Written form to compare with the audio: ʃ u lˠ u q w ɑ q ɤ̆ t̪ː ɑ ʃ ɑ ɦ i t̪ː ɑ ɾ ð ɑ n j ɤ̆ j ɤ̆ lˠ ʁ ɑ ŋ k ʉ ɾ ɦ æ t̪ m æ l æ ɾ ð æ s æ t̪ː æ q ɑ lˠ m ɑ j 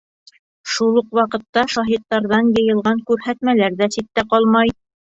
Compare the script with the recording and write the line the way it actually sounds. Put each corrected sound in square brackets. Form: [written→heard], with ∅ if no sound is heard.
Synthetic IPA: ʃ u lˠ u q w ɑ q ɤ̆ t̪ː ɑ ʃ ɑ ɦ i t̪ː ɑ ɾ ð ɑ n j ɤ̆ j ɤ̆ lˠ ʁ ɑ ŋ k ʉ ɾ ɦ æ t̪ m æ l æ ɾ ð æ s [æ→i] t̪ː æ q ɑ lˠ m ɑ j

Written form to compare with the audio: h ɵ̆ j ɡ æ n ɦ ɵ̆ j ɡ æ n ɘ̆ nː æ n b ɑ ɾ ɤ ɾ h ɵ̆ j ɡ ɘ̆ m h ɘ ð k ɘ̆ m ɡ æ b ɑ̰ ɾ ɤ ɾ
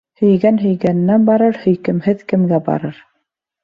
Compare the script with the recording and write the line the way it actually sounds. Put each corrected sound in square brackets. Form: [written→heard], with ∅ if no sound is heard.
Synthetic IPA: h ɵ̆ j ɡ æ n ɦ ɵ̆ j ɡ æ n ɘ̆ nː æ n b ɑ ɾ ɤ ɾ h ɵ̆ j [ɡ→k] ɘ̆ m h ɘ ð k ɘ̆ m ɡ æ b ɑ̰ ɾ ɤ ɾ

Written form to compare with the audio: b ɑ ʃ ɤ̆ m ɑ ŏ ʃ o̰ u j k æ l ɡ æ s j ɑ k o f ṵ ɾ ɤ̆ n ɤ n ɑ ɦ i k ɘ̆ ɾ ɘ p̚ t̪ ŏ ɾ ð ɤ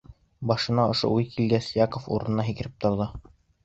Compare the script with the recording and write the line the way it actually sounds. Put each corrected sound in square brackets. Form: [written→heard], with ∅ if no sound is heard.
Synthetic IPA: b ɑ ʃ ɤ̆ [m→n] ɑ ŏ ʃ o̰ u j k [æ→i] l ɡ æ s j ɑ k o f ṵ ɾ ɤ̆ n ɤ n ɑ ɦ i k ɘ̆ ɾ ɘ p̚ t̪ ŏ ɾ ð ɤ

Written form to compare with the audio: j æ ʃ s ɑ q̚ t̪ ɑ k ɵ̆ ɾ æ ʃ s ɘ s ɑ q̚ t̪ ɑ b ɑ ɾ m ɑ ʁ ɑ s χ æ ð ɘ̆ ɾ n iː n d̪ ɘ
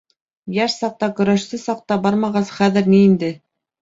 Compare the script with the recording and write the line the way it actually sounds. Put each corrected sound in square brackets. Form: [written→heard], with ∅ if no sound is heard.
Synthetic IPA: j æ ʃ s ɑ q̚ t̪ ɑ k ɵ̆ ɾ æ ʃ s ɘ s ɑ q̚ t̪ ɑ b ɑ ɾ m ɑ ʁ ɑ s χ æ ð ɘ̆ ɾ n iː n d̪ ɘ

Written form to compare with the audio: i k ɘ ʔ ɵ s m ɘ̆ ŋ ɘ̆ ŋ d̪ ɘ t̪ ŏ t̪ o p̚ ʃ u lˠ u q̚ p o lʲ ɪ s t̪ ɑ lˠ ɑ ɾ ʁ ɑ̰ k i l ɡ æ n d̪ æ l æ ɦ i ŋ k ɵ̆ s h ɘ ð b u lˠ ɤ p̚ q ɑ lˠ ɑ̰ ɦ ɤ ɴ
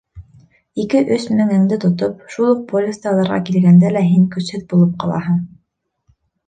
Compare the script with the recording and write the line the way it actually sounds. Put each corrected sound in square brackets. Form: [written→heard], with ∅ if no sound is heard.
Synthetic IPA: i k ɘ ʔ ɵ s m ɘ̆ ŋ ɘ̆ ŋ d̪ ɘ t̪ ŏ t̪ o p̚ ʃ u lˠ u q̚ p o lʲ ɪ s t̪ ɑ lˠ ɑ ɾ ʁ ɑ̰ k i l ɡ æ n d̪ æ l æ ɦ i ŋ k ɵ̆ s h ɘ ð b u lˠ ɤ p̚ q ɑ lˠ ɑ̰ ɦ ɤ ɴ

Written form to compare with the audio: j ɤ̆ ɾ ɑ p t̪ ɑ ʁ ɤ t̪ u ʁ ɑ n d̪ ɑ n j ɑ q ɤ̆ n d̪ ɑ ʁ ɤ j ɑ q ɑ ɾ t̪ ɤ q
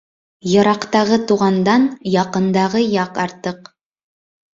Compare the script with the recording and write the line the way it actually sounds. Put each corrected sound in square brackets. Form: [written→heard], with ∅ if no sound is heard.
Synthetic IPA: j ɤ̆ ɾ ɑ [p→q] t̪ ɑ ʁ ɤ t̪ u ʁ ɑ n d̪ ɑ n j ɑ q ɤ̆ n d̪ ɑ ʁ ɤ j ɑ q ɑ ɾ t̪ ɤ q

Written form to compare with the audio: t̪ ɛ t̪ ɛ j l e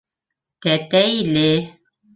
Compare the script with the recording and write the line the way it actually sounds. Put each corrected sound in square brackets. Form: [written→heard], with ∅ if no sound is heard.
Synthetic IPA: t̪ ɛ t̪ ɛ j l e

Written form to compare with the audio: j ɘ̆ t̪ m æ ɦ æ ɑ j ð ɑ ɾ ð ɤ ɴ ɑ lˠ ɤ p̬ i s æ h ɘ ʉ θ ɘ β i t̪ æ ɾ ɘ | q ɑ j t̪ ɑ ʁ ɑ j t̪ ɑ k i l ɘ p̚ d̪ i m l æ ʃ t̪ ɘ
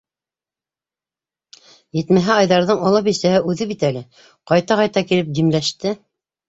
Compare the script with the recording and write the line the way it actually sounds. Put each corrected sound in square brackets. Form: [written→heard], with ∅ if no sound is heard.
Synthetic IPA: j ɘ̆ t̪ m æ ɦ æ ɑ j ð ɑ ɾ ð ɤ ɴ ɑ lˠ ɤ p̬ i s æ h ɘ ʉ [θ→ð] ɘ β i t̪ æ [ɾ→l] ɘ | q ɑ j t̪ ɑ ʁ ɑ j t̪ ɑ k i l ɘ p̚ d̪ i m l æ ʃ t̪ ɘ

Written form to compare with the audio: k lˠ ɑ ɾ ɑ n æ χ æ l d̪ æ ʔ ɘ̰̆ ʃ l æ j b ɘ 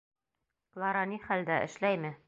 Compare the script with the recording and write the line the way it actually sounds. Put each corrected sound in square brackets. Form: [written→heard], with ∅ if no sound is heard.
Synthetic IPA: k lˠ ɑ ɾ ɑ n [æ→i] χ æ l d̪ æ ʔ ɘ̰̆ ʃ l æ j [b→m] ɘ

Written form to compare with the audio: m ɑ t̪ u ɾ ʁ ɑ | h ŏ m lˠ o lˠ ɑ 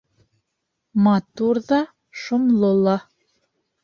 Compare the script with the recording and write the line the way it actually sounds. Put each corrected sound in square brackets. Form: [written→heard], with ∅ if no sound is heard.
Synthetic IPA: m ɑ t̪ u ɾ [ʁ→ð] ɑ | [h→ʃ] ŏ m lˠ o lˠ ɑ

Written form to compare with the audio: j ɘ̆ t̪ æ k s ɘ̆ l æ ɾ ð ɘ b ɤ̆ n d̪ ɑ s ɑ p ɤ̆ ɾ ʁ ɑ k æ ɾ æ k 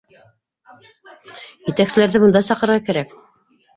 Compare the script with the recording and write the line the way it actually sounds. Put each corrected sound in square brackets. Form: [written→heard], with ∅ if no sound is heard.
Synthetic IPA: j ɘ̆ t̪ æ k s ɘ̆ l æ ɾ ð ɘ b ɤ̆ n d̪ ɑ s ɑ [p→q] ɤ̆ ɾ ʁ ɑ k æ ɾ æ k

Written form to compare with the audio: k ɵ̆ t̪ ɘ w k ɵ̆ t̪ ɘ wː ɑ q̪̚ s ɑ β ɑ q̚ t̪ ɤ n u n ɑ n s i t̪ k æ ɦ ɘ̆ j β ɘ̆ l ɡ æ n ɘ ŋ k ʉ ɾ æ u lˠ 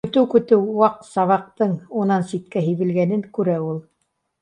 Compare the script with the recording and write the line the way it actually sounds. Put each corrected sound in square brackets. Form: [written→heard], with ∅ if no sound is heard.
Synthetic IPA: k ɵ̆ t̪ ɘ w k ɵ̆ t̪ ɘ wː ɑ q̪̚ s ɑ β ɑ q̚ t̪ ɤ [n→ɴ] u n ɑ n s i t̪ k æ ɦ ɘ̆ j β ɘ̆ l ɡ æ n ɘ ŋ k ʉ ɾ æ u lˠ

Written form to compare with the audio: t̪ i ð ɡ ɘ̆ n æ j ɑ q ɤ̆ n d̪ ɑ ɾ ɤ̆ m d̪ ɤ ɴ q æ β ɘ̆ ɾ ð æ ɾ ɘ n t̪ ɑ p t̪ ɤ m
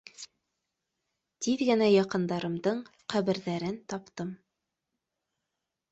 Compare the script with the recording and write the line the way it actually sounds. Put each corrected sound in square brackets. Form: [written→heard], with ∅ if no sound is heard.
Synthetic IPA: t̪ i ð ɡ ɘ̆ n æ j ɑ q ɤ̆ n d̪ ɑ ɾ ɤ̆ m d̪ ɤ ɴ q æ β ɘ̆ ɾ ð æ ɾ ɘ n t̪ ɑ p t̪ ɤ m

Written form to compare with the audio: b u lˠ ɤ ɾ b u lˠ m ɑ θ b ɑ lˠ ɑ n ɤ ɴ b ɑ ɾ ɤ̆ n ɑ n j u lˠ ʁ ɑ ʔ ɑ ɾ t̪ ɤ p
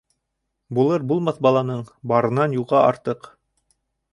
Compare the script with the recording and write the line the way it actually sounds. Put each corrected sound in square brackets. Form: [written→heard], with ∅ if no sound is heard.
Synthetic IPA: b u lˠ ɤ ɾ b u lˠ m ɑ θ b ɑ lˠ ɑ n ɤ ɴ b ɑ ɾ ɤ̆ n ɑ n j u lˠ ʁ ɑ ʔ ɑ ɾ t̪ ɤ [p→q]

